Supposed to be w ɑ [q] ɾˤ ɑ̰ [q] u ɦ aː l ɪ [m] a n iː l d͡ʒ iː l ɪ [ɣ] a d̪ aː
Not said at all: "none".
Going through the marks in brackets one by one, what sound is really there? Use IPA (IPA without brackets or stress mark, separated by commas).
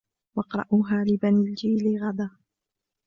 q, ʔ, b, ɣ